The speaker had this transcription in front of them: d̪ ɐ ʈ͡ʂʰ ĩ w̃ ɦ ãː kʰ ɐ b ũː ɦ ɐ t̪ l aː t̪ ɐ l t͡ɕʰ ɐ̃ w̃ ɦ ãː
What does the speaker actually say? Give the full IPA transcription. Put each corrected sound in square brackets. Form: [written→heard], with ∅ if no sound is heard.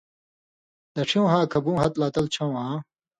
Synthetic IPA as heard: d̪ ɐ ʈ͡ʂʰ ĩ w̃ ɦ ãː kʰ ɐ b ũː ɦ ɐ t̪ l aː t̪ ɐ l t͡ɕʰ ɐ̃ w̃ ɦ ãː